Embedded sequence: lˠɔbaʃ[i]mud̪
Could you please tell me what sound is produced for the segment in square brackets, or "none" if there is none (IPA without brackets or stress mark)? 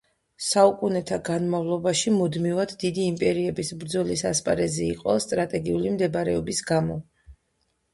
i